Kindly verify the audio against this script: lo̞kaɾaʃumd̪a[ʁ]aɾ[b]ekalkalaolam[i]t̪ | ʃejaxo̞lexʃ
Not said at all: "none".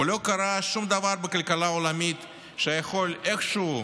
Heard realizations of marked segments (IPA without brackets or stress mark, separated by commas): v, b, i